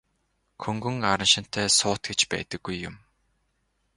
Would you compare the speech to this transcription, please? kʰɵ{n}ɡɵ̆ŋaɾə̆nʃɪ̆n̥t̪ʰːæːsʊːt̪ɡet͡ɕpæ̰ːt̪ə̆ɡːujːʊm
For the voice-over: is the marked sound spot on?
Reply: no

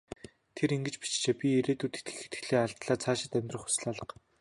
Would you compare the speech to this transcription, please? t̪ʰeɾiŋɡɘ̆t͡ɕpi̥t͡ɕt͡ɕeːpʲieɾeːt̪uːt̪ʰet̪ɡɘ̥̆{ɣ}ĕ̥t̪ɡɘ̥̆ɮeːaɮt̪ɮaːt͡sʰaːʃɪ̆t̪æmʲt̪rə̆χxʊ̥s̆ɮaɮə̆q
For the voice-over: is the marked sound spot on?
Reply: no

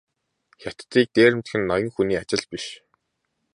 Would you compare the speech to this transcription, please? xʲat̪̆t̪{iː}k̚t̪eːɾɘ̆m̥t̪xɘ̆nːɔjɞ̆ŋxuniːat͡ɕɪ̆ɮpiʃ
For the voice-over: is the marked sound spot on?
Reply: yes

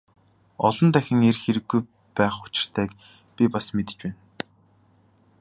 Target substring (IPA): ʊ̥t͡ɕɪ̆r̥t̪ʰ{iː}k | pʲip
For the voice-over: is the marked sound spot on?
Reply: no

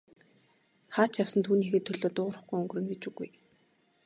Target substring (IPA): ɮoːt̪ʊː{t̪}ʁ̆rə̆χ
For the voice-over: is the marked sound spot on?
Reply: no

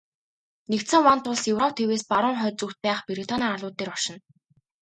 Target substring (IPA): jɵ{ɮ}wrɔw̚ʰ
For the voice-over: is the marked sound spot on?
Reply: no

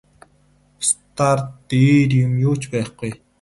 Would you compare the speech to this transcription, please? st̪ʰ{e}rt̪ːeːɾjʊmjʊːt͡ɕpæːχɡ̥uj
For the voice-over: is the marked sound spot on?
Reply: no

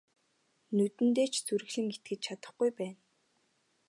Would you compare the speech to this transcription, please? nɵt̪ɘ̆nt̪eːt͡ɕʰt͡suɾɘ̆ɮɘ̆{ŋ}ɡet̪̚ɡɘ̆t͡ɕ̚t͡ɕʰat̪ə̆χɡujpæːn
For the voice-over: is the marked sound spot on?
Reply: yes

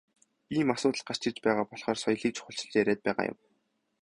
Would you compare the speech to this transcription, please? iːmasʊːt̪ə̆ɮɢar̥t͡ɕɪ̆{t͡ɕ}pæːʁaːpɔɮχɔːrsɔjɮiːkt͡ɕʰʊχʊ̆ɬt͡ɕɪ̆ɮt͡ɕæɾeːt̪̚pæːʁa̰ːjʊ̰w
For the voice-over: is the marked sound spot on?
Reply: yes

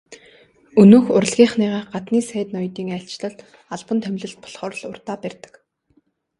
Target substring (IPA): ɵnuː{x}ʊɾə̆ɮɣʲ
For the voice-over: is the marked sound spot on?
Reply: yes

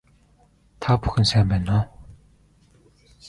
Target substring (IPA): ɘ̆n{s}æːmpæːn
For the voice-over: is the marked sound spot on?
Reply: yes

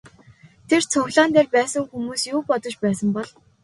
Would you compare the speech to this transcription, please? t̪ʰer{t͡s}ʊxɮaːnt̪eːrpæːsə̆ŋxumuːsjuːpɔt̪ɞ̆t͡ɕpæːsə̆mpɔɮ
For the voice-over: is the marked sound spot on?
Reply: no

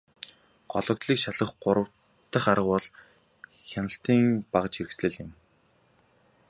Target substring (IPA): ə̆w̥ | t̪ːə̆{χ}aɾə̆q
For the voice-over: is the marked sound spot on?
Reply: yes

